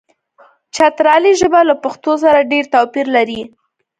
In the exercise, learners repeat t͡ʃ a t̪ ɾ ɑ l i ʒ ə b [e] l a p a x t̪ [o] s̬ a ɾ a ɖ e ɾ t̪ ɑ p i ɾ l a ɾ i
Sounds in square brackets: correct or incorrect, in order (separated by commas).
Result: incorrect, correct